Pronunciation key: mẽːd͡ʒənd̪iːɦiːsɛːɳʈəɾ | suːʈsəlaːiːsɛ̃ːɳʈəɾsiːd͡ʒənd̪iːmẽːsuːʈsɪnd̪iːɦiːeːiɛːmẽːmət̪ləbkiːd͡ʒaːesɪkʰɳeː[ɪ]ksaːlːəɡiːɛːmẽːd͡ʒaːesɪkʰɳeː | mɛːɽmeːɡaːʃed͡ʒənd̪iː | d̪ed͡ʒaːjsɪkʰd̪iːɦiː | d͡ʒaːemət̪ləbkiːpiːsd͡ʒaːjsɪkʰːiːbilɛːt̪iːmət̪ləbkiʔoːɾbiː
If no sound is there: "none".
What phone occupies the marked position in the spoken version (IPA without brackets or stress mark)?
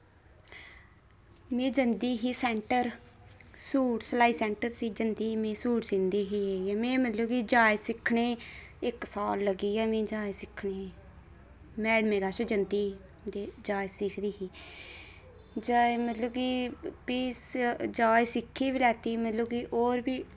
ɪ